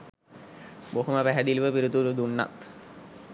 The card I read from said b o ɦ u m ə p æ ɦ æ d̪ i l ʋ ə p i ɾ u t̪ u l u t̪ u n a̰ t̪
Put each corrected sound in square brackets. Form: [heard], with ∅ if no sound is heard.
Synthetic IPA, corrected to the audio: b o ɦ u m ə p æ ɦ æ d̪ i l ʋ ə p i ɾ u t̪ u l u [d̪] u [nː] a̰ t̪